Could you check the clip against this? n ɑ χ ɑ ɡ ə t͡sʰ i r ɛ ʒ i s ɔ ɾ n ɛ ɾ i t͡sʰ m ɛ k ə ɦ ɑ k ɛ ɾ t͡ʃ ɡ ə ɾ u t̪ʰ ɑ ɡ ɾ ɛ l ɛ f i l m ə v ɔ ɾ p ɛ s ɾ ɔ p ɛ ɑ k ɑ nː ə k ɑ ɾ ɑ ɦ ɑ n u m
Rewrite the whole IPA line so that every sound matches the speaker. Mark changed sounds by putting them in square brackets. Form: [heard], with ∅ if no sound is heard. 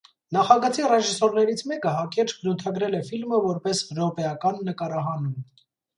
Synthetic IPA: n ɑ χ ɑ ɡ ə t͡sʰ i r ɛ ʒ i s ɔ ɾ n ɛ ɾ i t͡sʰ m ɛ k ə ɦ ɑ k ɛ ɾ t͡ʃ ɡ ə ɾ u t̪ʰ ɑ ɡ ɾ ɛ l ɛ f i l m ə v ɔ ɾ p ɛ s ɾ ɔ p ɛ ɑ k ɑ nː ə k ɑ ɾ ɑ ɦ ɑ n u m

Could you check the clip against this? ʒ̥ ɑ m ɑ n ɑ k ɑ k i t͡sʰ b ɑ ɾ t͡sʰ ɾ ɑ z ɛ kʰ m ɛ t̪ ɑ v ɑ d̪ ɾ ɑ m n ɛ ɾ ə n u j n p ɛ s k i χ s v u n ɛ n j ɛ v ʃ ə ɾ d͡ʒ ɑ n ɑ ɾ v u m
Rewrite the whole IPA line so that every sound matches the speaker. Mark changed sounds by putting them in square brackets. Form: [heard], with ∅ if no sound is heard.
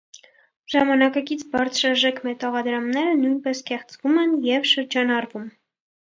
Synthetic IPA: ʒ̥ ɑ m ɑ n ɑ k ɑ k i t͡sʰ b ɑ ɾ t͡sʰ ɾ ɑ [ʒ] ɛ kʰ m ɛ t̪ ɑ [ʁ] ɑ d̪ ɾ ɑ m n ɛ ɾ ə n u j n p ɛ s k [ɛ] χ [t͡s] v u [m] ɛ n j ɛ v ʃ ə ɾ d͡ʒ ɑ n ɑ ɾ v u m

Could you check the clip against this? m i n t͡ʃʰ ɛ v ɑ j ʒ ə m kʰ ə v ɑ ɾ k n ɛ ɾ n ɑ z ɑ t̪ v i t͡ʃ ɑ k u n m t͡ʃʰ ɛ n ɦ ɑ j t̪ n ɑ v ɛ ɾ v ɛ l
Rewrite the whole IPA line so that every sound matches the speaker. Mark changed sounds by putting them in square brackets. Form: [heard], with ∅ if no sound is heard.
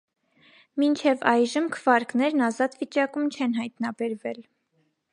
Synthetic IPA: m i n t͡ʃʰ ɛ v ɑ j ʒ ə m kʰ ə v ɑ ɾ k n ɛ ɾ n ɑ z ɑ t̪ v i t͡ʃ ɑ k u [∅] m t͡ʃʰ ɛ n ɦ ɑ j t̪ n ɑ [b] ɛ ɾ v ɛ l

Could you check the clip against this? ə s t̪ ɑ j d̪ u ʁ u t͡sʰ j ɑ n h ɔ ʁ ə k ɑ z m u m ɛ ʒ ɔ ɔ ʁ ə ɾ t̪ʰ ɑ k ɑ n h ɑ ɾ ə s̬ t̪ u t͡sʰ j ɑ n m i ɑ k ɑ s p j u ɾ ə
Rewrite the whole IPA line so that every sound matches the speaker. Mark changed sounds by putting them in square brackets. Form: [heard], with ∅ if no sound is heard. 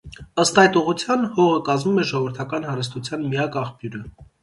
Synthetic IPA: ə s t̪ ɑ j [t̪] u ʁ u t͡sʰ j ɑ n h ɔ ʁ ə k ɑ z m u m ɛ ʒ ɔ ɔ [v] ə ɾ t̪ʰ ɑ k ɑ n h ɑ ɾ ə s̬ t̪ u t͡sʰ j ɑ n m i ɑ k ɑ [χ] p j u ɾ ə

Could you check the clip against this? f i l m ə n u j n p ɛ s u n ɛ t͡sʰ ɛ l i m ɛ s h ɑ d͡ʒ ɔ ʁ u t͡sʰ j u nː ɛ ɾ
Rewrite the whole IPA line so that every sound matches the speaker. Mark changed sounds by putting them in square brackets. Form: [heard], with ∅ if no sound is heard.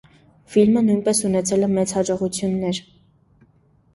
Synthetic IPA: f i l m ə n u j n p ɛ s u n ɛ t͡sʰ ɛ l [ɛ] m ɛ [t͡s] h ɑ d͡ʒ ɔ ʁ u t͡sʰ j u nː ɛ ɾ

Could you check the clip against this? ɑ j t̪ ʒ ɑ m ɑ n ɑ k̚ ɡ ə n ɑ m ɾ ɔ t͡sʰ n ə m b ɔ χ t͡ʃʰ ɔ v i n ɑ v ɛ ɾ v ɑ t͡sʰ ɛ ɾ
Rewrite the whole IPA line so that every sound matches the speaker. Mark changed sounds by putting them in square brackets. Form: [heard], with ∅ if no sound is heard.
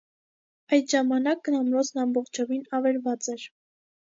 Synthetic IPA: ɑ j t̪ ʒ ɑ m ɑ n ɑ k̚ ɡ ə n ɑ m ɾ ɔ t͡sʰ n [ɑ] m b ɔ χ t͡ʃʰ ɔ v i n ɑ v ɛ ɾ v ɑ [t͡s] ɛ ɾ

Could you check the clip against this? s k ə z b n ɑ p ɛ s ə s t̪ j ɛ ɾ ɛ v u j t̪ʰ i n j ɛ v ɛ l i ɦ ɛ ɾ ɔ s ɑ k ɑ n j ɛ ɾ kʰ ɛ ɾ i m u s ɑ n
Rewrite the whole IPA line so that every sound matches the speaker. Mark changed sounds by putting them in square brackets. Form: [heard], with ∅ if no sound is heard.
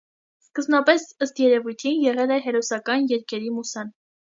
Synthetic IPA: s k ə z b n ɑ p ɛ s ə s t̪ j ɛ ɾ ɛ v u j t̪ʰ i n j ɛ [ʁ] ɛ l [ɛ] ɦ ɛ ɾ ɔ s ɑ k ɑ n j ɛ ɾ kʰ ɛ ɾ i m u s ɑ n

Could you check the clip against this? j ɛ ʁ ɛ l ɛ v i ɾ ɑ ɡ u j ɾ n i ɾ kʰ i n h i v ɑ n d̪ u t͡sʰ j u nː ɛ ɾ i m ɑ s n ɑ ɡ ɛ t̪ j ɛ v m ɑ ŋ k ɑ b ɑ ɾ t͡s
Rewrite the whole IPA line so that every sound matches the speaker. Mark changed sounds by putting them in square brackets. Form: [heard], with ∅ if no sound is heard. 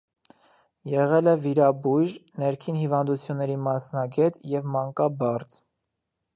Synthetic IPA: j ɛ ʁ ɛ l ɛ v i ɾ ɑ [b] u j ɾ n [ɛ] ɾ kʰ i n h i v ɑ n d̪ u t͡sʰ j u nː ɛ ɾ i m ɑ s n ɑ ɡ ɛ t̪ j ɛ v m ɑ ŋ k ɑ b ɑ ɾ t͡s

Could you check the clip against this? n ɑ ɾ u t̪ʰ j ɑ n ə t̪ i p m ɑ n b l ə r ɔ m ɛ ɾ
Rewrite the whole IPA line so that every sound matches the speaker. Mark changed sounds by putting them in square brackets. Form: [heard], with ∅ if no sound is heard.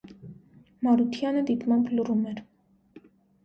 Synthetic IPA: [m] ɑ ɾ u t̪ʰ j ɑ n ə [d̪] i p m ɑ [m] b l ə r [u] m ɛ ɾ

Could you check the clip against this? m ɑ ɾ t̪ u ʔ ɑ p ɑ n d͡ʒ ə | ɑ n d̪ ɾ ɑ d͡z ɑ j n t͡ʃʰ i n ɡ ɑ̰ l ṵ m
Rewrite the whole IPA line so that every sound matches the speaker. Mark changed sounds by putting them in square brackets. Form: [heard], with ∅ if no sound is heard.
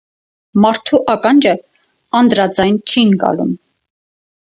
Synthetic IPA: m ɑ ɾ [t̪ʰ] u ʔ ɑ [k] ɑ n d͡ʒ ə | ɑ n d̪ ɾ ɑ d͡z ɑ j n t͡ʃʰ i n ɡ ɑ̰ l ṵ m

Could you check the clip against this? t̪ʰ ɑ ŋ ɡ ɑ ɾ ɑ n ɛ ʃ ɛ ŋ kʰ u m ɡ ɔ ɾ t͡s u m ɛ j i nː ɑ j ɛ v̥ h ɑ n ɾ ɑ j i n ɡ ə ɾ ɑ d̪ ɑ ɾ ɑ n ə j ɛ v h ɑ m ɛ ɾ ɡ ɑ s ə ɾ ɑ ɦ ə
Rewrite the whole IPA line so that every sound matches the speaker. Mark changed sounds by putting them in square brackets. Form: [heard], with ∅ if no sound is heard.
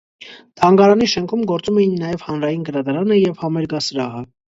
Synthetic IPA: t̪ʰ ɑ ŋ ɡ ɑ ɾ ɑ n [i] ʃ ɛ ŋ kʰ u m ɡ ɔ ɾ t͡s u m ɛ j i nː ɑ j ɛ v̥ h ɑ n ɾ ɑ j i n ɡ ə ɾ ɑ d̪ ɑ ɾ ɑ n ə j ɛ v h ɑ m ɛ ɾ ɡ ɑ s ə ɾ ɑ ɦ ə

